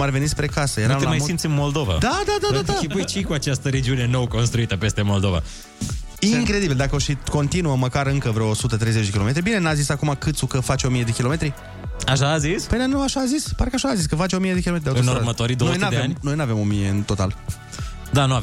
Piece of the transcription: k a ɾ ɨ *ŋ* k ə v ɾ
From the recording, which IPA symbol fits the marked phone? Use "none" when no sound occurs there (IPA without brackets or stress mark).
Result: ŋ